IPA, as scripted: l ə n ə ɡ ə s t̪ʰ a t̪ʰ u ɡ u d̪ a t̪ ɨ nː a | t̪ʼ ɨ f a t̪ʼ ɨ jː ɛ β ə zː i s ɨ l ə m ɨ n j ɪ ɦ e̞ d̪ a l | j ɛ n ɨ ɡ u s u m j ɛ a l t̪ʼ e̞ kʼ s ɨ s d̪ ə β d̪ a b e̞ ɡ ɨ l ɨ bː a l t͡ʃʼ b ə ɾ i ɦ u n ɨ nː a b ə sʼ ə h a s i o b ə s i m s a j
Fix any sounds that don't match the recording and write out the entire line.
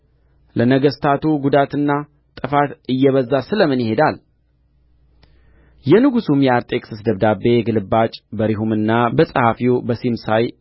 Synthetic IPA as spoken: l ə n ə ɡ ə s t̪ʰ a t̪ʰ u ɡ u d̪ a t̪ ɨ nː a | t̪ʼ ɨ f a t̪ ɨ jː ɛ β ə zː a s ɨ l ə m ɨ n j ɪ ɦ e̞ d̪ a l | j ɛ n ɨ ɡ u s u m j ɛ a ɾ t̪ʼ e̞ kʼ s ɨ s d̪ ə β d̪ a b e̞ ɡ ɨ l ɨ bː a t͡ʃʼ b ə ɾ i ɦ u m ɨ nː a b ə sʼ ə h a f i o b ə s i m s a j